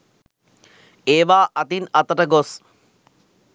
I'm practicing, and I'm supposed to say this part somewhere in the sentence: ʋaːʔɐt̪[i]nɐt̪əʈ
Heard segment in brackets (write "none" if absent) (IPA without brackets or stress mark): i